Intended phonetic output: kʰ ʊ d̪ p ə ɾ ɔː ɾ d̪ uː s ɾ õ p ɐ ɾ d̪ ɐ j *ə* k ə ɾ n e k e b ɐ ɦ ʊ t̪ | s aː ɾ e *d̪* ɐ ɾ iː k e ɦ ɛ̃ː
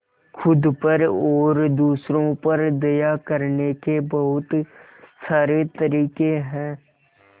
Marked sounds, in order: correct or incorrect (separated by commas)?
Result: incorrect, incorrect